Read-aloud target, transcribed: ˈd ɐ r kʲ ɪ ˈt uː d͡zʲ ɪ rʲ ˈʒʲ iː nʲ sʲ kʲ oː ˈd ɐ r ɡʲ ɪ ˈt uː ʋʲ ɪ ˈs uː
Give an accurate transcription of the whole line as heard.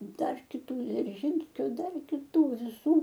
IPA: ˈd ɐ r kʲ ɪ ˈt uː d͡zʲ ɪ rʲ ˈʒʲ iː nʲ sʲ kʲ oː ˈd ɐ r kʲ ɪ ˈt uː ʋʲ ɪ ˈs uː